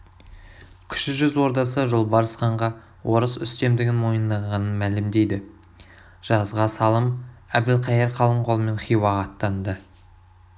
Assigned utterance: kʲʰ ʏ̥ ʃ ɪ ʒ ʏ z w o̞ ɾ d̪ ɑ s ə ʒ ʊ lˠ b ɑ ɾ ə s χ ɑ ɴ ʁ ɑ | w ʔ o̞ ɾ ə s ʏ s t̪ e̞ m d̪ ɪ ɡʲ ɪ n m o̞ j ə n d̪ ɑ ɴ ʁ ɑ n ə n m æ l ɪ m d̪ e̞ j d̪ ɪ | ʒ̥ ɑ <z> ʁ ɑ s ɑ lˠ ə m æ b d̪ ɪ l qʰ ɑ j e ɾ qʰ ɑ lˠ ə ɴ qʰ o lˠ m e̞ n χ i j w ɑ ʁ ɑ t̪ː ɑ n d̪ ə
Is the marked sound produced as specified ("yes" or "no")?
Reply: yes